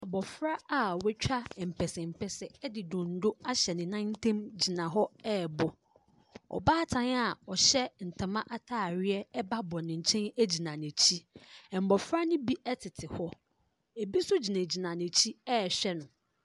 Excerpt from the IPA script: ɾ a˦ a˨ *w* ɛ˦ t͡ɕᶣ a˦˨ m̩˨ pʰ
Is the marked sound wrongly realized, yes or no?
no